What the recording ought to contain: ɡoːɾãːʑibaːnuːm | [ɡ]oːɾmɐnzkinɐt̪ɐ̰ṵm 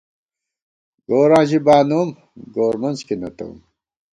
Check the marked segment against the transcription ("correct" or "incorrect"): correct